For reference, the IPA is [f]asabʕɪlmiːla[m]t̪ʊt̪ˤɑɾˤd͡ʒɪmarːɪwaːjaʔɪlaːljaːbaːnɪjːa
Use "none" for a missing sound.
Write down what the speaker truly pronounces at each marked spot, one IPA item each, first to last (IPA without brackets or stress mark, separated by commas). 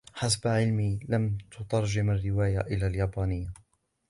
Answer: ħ, m